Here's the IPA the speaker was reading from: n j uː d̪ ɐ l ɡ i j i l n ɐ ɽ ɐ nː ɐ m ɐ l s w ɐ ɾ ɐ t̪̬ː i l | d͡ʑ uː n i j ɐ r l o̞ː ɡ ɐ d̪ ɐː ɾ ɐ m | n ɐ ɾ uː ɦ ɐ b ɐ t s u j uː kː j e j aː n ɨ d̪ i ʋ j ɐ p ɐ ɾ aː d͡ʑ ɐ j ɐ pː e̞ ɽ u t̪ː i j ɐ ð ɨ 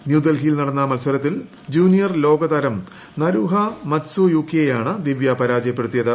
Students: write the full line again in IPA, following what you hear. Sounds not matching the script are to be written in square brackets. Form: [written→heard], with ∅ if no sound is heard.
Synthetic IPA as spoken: n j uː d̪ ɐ l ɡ i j i l n ɐ ɽ ɐ nː ɐ m ɐ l s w ɐ ɾ ɐ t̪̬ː i l | d͡ʑ uː n i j ɐ r l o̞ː ɡ ɐ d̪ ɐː ɾ ɐ m | n ɐ ɾ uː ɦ ɐ [b→m] ɐ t s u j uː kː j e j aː [n→ɳ] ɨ d̪ i ʋ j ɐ p ɐ ɾ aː d͡ʑ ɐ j ɐ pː e̞ ɽ u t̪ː i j ɐ ð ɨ